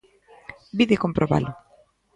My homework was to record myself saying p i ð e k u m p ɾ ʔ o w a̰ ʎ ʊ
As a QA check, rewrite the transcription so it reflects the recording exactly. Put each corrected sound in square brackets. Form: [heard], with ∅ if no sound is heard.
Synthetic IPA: [b] i ð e k [o] m p ɾ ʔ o [β] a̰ [l] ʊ